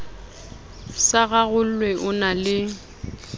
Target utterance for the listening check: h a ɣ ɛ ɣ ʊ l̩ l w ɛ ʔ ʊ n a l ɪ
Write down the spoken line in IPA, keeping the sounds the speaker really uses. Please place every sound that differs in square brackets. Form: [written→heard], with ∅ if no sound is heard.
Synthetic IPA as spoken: [h→s] a ɣ [ɛ→a] ɣ ʊ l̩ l w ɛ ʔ ʊ n a l ɪ